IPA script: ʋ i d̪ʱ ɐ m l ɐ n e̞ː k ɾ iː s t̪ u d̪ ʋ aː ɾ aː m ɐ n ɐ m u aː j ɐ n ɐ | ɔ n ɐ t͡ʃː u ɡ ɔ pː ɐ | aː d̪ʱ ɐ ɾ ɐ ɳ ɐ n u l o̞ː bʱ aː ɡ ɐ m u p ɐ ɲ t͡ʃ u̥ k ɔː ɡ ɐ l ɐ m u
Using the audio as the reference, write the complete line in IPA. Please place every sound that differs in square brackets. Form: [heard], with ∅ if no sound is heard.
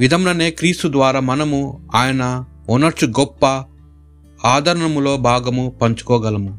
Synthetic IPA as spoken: ʋ i d̪ʱ ɐ m l ɐ n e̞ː k ɾ iː s t̪ u d̪ ʋ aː ɾ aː m ɐ n ɐ m u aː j ɐ n ɐ | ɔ n ɐ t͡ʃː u ɡ ɔ pː ɐ | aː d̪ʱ ɐ ɾ ɐ ɳ ɐ [m] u l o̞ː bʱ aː ɡ ɐ m u p ɐ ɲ t͡ʃ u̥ k ɔː ɡ ɐ l ɐ m u